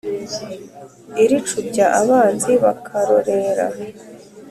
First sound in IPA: i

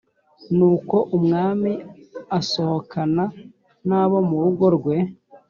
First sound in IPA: n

